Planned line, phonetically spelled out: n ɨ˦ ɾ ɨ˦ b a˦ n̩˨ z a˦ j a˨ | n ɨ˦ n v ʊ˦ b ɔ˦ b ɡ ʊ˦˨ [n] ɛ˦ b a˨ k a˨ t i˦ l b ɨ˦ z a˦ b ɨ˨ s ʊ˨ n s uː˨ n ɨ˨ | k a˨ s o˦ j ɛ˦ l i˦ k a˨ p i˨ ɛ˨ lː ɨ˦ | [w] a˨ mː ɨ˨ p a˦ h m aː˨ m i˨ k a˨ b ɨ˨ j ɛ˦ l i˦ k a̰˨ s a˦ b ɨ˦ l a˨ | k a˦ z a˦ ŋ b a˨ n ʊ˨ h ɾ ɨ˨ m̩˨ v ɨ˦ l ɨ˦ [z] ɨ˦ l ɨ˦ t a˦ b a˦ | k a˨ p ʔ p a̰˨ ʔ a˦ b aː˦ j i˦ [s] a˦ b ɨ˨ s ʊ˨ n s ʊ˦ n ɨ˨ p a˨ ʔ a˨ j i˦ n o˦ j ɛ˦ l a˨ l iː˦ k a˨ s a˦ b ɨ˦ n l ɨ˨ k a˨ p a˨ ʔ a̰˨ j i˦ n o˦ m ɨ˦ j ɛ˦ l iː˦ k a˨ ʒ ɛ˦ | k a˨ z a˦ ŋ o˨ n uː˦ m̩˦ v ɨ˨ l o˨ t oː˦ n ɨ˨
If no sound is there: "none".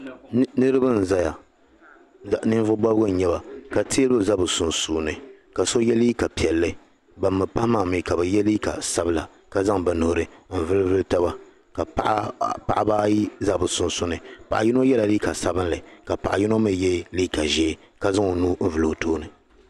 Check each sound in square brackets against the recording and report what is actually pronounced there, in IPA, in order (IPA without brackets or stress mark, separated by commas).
ɲ, b, v, z